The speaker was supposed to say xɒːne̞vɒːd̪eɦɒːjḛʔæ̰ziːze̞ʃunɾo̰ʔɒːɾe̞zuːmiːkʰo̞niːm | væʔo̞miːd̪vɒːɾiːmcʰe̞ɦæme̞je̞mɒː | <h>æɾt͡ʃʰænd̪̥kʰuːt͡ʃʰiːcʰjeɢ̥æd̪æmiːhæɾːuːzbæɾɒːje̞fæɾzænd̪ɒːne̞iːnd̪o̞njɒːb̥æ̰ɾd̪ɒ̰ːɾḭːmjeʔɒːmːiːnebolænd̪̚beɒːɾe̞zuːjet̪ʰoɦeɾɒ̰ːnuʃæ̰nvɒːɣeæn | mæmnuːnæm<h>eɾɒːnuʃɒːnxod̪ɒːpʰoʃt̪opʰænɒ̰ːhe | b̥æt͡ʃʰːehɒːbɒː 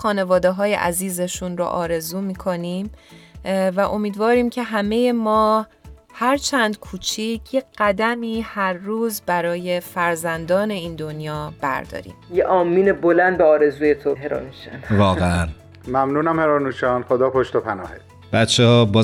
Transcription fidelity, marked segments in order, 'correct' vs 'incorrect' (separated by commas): correct, correct